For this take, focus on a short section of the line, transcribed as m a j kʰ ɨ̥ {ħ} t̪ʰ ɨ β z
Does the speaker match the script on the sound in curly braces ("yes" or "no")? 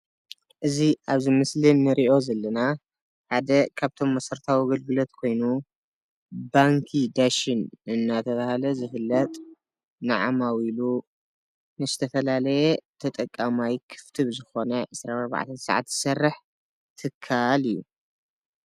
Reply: no